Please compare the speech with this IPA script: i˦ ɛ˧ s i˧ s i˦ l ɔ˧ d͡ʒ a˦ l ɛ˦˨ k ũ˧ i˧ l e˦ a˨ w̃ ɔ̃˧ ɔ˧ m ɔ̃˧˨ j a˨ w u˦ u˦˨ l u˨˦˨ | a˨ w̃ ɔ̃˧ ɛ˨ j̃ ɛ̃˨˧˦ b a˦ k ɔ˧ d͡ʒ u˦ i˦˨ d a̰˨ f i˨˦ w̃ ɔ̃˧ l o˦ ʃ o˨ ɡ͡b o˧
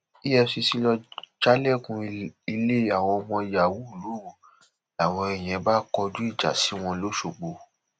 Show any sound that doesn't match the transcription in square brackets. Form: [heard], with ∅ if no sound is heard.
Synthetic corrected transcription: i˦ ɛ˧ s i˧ s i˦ l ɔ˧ d͡ʒ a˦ l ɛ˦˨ k ũ˧ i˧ l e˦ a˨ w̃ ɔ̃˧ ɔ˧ m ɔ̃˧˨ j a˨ w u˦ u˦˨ l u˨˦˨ | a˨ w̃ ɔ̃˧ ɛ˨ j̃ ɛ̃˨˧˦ b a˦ k ɔ˧ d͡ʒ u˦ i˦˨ [d͡ʒ] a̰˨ [s] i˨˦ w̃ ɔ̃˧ l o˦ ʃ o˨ ɡ͡b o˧